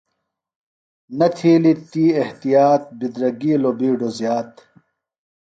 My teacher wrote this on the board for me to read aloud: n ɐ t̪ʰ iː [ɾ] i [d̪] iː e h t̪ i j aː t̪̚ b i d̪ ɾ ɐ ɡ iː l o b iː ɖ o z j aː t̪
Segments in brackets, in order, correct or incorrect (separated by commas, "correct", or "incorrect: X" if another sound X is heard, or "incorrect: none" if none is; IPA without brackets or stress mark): incorrect: l, incorrect: t̪